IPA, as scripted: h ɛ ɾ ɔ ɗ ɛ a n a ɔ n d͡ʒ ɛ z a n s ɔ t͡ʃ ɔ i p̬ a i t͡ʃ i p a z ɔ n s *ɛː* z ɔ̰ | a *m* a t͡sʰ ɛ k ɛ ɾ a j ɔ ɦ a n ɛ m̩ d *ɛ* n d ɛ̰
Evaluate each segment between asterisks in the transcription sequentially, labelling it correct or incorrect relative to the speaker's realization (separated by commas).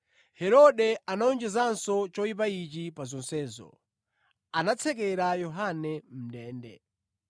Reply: correct, incorrect, incorrect